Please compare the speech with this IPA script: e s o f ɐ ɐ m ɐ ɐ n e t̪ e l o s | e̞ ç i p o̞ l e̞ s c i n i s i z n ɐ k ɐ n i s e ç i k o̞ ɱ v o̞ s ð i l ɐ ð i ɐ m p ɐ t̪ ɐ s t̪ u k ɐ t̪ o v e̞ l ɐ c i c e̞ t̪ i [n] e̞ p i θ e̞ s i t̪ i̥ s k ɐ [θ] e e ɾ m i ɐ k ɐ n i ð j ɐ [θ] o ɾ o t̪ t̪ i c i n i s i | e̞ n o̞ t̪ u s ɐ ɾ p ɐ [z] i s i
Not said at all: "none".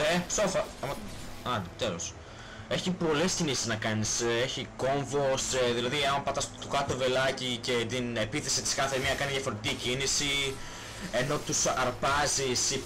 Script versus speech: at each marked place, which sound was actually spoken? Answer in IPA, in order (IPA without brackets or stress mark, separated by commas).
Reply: n, θ, f, z